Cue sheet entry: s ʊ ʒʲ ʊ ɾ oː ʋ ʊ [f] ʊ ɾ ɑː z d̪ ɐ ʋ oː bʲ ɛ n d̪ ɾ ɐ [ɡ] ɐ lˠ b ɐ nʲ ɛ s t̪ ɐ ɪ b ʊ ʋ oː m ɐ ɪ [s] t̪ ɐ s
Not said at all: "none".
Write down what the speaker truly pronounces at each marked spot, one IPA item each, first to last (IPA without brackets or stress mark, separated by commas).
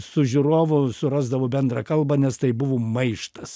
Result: s, k, ʃ